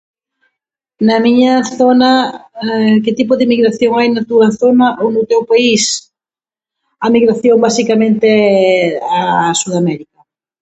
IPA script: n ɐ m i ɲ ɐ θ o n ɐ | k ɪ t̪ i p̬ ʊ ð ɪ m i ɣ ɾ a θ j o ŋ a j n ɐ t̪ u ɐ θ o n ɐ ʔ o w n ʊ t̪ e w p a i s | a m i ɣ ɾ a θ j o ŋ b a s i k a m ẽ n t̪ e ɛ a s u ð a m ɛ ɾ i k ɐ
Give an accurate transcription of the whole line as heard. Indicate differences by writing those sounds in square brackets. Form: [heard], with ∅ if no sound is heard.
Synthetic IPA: n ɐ m i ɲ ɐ θ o n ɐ | k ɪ t̪ i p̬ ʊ ð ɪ m i ɣ ɾ a θ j o ŋ a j n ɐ t̪ u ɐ θ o n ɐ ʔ o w n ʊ t̪ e w p a i s | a m i ɣ ɾ a θ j o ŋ b a s i k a m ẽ n t̪ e ɛ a s u ð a m ɛ ɾ i k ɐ